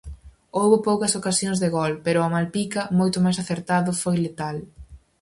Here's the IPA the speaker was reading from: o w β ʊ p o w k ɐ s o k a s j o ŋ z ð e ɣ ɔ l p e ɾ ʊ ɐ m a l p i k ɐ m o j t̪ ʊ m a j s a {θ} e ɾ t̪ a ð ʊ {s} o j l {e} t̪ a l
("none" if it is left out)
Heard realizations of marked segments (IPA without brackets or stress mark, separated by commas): θ, f, e